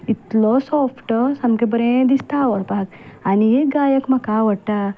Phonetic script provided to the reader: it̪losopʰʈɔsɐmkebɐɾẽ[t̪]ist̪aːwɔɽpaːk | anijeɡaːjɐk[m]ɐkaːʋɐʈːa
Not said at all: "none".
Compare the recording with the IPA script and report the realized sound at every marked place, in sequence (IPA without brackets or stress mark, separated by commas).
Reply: d̪, m